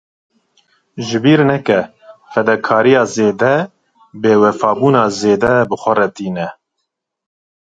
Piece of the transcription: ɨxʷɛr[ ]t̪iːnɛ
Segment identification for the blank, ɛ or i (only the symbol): ɛ